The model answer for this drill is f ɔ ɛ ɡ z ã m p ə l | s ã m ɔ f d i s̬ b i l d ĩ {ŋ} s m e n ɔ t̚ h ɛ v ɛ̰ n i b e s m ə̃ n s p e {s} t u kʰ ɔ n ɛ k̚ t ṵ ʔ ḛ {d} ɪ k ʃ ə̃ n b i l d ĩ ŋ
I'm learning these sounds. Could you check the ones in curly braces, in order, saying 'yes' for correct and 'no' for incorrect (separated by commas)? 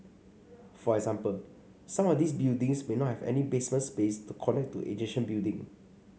yes, yes, no